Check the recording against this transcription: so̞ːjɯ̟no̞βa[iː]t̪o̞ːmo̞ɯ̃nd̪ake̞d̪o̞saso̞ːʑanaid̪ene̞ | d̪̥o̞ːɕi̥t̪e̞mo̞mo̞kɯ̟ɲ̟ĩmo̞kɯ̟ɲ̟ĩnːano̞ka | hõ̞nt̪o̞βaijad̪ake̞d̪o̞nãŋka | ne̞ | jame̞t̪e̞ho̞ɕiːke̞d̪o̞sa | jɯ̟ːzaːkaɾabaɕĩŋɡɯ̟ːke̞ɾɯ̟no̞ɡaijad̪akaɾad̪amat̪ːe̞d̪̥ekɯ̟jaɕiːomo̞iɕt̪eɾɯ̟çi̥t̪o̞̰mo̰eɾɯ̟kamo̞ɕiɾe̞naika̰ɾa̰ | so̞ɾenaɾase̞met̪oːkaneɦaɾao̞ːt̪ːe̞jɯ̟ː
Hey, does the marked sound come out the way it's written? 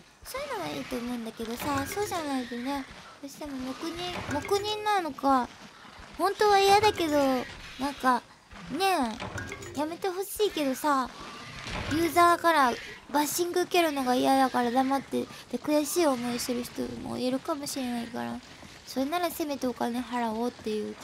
yes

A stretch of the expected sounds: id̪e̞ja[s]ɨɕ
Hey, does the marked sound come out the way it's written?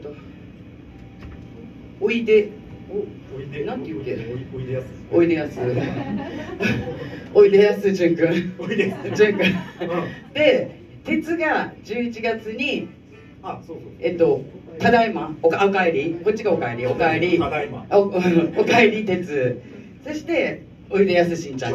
yes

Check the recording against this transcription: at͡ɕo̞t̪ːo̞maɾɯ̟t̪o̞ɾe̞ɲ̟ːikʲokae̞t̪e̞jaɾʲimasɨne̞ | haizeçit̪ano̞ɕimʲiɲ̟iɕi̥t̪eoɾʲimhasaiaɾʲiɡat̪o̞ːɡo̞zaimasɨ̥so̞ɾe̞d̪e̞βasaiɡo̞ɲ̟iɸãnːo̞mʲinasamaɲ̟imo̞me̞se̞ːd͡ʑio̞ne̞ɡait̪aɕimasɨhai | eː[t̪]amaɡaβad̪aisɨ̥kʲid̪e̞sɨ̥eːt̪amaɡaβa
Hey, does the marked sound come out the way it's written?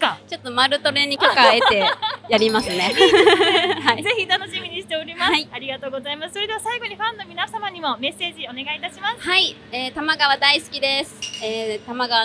yes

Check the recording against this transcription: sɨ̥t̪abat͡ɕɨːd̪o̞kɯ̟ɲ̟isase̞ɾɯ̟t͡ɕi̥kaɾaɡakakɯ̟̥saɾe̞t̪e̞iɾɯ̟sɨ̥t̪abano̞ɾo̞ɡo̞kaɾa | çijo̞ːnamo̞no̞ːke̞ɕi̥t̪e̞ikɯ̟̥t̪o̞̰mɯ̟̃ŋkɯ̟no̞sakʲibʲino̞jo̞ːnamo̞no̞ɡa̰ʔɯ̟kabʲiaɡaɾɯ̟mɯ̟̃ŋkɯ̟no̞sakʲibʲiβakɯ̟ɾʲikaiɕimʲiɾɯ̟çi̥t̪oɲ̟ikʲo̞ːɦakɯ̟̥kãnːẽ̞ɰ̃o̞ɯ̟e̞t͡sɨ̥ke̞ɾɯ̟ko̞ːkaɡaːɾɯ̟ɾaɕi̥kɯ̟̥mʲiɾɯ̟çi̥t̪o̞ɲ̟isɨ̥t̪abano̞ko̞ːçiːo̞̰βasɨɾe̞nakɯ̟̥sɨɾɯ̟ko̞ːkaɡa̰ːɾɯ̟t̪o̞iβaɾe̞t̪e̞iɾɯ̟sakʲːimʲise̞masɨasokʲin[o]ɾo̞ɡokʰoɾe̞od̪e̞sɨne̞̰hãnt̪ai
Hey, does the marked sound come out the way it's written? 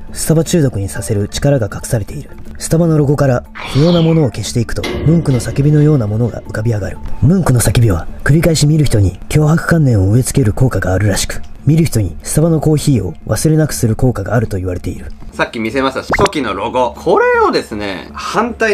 yes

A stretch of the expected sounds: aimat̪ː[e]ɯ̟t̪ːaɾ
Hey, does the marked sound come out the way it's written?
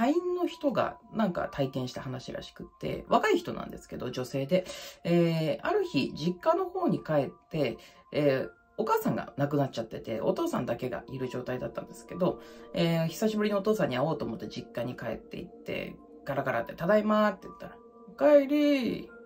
yes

